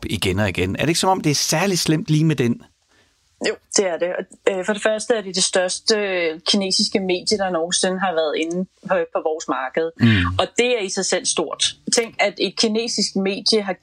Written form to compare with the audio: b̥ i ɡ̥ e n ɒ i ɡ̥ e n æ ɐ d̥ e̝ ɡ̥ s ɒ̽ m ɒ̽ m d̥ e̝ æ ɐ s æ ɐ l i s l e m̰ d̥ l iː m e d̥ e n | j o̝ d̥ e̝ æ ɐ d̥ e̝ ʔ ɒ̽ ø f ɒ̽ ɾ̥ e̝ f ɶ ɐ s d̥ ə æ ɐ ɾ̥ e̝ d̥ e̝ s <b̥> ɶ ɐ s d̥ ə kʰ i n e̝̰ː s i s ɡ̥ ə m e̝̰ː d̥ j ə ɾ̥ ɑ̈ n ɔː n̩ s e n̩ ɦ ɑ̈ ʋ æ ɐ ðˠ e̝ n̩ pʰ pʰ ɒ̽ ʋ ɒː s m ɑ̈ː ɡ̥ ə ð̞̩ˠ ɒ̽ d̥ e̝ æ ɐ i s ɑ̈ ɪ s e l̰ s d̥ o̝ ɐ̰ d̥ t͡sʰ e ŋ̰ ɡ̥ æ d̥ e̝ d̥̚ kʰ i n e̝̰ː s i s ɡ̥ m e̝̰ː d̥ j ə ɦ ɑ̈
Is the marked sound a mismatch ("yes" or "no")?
yes